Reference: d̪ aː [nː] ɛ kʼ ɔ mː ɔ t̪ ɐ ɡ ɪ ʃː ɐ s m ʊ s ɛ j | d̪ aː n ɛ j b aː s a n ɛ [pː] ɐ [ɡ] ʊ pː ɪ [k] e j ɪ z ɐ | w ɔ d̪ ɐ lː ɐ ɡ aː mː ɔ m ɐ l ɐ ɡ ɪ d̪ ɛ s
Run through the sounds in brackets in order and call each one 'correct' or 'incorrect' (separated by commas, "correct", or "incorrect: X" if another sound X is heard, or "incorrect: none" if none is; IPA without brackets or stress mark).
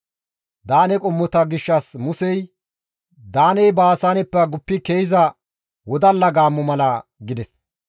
incorrect: n, correct, correct, correct